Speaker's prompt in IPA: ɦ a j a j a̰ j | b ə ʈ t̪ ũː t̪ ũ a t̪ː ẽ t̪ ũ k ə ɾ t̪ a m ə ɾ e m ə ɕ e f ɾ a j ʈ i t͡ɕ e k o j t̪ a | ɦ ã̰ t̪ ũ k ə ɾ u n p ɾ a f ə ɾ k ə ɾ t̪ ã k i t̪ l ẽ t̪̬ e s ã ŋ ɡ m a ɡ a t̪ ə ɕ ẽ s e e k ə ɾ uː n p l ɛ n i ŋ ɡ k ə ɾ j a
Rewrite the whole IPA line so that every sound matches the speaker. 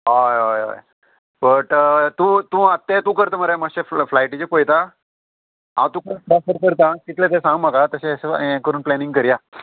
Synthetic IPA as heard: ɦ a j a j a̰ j | b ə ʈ t̪ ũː t̪ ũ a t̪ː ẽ t̪ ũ k ə ɾ t̪ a m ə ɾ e m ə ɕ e f l a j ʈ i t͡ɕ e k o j t̪ a | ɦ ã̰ t̪ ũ k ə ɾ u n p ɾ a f ə ɾ k ə ɾ t̪ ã k i t̪ l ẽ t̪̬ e s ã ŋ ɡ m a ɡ a t̪ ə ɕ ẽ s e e k ə ɾ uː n p l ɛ n i ŋ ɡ k ə ɾ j a